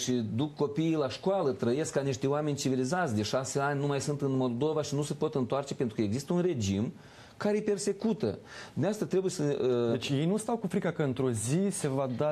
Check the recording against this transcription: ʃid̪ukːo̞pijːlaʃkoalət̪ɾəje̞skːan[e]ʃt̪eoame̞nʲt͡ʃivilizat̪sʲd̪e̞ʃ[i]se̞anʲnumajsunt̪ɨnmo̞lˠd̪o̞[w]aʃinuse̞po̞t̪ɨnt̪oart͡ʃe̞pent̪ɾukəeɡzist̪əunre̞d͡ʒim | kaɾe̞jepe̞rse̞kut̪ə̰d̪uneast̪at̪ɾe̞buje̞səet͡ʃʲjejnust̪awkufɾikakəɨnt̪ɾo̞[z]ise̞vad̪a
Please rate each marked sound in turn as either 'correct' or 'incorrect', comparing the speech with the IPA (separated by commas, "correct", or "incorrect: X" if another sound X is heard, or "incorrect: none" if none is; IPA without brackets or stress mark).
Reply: incorrect: i, incorrect: a, incorrect: v, correct